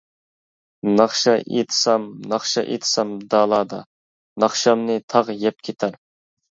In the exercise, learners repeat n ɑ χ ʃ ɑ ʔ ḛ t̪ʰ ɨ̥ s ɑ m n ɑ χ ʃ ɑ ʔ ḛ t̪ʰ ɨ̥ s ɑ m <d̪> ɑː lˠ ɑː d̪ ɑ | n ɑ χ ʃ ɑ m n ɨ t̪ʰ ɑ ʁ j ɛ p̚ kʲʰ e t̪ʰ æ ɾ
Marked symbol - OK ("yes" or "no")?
yes